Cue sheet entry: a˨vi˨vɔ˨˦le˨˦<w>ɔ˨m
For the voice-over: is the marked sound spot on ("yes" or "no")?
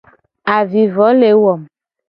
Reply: yes